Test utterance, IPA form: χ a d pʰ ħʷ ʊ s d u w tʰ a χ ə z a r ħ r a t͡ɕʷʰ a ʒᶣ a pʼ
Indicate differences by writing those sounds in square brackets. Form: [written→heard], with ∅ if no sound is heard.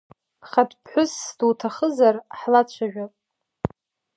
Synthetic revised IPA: χ a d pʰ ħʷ ʊ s d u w tʰ a χ ə z a r ħ [r→l] a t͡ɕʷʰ a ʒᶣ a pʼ